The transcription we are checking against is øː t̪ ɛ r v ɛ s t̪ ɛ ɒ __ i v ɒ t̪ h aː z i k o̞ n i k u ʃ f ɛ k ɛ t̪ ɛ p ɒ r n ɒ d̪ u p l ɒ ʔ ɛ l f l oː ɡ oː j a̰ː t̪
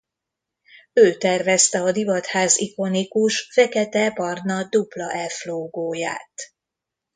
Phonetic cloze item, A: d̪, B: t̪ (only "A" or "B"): A